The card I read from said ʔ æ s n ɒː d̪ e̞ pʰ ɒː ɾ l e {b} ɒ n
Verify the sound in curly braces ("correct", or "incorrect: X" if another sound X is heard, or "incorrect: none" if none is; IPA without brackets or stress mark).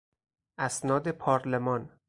incorrect: m